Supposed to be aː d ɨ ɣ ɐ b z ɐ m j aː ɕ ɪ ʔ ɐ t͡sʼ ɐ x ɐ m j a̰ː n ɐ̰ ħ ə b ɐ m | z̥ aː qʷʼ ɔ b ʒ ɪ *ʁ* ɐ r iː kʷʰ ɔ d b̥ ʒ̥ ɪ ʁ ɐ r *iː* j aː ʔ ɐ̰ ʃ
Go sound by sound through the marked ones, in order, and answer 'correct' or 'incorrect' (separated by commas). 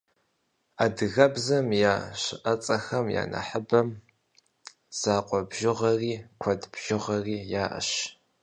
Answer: correct, correct